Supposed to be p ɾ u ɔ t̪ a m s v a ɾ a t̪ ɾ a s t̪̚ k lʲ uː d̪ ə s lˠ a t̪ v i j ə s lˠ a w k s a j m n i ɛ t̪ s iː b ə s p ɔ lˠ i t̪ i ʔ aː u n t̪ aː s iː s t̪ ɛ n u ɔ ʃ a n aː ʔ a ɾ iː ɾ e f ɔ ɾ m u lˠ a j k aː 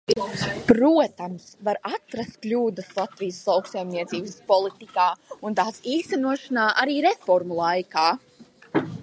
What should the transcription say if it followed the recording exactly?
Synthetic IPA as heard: p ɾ u ɔ t̪ a m s v a ɾ a t̪ ɾ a s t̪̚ k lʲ uː d̪ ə s lˠ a t̪ v i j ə s lˠ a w k s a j m n i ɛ t̪ s iː b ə s p ɔ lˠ i t̪ i k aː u n t̪ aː s iː s t̪ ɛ n u ɔ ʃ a n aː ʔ a ɾ iː ɾ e f ɔ ɾ m u lˠ a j k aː